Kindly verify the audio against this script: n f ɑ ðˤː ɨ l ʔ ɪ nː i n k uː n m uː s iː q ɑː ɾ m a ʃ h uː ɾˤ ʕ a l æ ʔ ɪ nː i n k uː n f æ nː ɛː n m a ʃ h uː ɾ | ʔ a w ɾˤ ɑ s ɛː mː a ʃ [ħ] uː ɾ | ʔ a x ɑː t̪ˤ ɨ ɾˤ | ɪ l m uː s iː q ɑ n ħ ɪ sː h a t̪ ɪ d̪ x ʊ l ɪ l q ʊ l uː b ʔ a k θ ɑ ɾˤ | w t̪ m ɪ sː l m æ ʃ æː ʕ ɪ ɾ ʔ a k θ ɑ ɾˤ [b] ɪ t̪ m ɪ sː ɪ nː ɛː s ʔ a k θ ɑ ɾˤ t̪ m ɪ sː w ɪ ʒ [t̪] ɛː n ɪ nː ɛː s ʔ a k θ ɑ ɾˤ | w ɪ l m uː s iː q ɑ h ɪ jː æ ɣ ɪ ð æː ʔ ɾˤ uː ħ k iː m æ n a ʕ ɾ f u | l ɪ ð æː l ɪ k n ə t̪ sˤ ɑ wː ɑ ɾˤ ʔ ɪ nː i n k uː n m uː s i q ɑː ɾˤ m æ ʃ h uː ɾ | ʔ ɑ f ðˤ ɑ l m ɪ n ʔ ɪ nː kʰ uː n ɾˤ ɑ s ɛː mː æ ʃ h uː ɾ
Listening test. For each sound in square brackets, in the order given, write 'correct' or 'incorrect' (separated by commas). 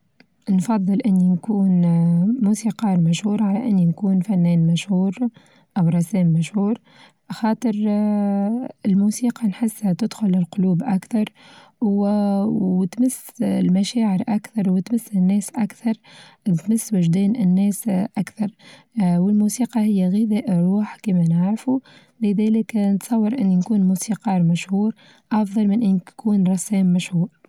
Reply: incorrect, incorrect, incorrect